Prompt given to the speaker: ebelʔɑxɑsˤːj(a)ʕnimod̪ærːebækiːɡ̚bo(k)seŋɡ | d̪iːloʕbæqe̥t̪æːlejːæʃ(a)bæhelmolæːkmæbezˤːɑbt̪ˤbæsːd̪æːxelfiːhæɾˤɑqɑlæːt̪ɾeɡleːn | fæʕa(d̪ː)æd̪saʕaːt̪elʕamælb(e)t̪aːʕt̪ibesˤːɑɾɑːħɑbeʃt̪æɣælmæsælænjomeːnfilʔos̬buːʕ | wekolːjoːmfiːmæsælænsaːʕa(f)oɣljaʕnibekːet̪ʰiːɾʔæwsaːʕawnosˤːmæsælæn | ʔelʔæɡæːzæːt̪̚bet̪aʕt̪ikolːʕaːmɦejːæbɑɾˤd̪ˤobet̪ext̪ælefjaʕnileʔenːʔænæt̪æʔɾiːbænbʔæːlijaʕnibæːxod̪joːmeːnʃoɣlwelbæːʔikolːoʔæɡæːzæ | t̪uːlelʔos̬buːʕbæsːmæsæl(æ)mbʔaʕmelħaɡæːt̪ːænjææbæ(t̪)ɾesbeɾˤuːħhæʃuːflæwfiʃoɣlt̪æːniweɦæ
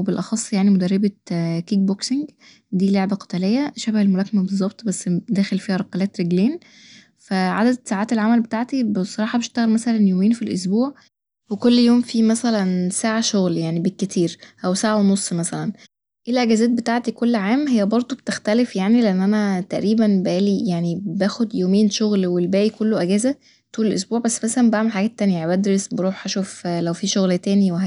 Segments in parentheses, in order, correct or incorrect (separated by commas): correct, correct, incorrect, incorrect, correct, incorrect, correct, incorrect